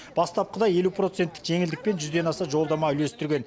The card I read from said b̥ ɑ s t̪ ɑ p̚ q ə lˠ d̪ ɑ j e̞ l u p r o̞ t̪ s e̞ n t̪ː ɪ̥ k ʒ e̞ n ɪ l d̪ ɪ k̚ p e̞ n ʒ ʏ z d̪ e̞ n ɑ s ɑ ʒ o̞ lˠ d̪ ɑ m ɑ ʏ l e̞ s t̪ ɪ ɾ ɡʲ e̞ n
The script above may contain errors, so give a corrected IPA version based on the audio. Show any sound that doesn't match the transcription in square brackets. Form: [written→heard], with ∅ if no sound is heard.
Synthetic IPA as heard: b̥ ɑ s t̪ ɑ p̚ q ə [lˠ→∅] d̪ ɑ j e̞ l u p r o̞ t̪ s e̞ n t̪ː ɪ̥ k ʒ e̞ [n→ŋ] ɪ l d̪ ɪ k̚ p e̞ n ʒ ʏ z d̪ e̞ n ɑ s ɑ ʒ o̞ lˠ d̪ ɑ m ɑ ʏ l e̞ s t̪ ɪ ɾ ɡʲ e̞ n